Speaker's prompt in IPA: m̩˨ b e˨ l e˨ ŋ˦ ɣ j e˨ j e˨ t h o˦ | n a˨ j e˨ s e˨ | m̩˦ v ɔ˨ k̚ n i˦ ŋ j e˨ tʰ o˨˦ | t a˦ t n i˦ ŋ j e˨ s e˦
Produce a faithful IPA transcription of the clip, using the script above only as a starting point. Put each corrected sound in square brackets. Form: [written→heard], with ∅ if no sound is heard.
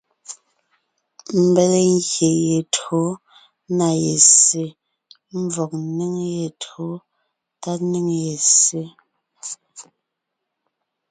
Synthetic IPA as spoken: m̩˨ b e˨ l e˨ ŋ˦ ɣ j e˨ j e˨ t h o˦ | n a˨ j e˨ s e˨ | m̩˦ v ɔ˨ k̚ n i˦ ŋ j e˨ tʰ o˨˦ | t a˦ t n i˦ ŋ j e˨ s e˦